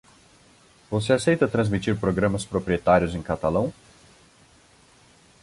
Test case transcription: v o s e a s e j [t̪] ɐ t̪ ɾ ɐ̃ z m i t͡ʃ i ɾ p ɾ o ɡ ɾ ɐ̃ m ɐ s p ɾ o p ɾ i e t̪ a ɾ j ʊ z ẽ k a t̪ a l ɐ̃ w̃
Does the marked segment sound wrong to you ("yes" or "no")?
no